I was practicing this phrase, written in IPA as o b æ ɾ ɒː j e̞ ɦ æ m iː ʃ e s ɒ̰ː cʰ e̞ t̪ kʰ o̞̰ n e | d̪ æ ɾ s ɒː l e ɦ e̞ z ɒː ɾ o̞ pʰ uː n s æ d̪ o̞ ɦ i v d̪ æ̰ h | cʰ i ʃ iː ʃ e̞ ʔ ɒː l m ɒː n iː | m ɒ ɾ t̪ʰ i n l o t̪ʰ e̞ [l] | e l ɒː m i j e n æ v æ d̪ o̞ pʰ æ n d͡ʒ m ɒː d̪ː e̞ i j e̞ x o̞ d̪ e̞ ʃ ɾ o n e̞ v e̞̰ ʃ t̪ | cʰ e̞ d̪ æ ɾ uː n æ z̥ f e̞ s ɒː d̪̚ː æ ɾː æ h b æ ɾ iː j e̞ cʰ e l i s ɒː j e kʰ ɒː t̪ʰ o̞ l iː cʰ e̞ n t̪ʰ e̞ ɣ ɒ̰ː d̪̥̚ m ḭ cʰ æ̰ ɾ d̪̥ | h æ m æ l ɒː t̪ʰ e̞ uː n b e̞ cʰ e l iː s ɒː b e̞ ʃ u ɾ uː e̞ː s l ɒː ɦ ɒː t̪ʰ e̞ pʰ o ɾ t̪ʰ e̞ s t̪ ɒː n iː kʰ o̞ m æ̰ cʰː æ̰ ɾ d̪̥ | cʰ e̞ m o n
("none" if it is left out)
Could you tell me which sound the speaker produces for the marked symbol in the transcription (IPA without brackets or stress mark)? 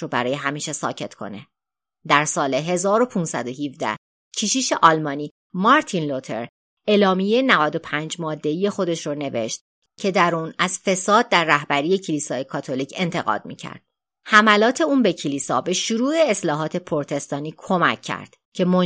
ɾ